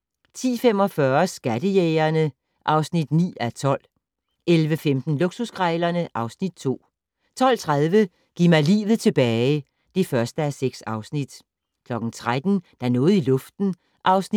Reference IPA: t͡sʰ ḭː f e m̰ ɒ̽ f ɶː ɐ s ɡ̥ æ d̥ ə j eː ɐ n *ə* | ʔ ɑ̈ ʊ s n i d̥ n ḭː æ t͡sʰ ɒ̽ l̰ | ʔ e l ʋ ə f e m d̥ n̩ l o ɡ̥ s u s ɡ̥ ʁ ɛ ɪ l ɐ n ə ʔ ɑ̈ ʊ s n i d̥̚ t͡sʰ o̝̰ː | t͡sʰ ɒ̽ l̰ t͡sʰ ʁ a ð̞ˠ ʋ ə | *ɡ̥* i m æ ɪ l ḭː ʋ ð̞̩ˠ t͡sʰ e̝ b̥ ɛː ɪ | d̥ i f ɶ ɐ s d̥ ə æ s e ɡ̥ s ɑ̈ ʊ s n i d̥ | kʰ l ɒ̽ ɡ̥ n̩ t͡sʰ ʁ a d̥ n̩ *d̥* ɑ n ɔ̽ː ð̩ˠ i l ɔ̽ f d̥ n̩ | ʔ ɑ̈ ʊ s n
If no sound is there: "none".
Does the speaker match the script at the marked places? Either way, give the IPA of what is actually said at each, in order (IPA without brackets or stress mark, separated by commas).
ə, ɡ̥, d̥